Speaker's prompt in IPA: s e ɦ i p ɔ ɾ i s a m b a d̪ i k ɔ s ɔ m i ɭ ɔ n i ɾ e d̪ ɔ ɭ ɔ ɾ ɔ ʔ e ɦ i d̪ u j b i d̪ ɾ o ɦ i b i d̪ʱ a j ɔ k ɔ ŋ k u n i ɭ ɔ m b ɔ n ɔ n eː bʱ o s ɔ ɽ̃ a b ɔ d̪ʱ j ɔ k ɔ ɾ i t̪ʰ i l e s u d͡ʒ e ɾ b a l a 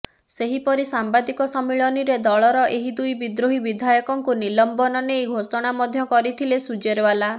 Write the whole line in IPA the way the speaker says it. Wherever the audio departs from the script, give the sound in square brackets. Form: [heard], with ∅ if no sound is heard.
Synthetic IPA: s e ɦ i p ɔ ɾ i s a m b a d̪ i k ɔ s ɔ m i ɭ ɔ n i ɾ e d̪ ɔ ɭ ɔ ɾ ɔ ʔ e ɦ i d̪ u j b i d̪ ɾ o ɦ i b i d̪ʱ a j ɔ k ɔ ŋ k u n i [l] ɔ m b ɔ n ɔ n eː [ɡʱ] o s ɔ ɽ̃ a [m] ɔ d̪ʱ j ɔ k ɔ ɾ i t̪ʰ i l e s u d͡ʒ e ɾ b a l a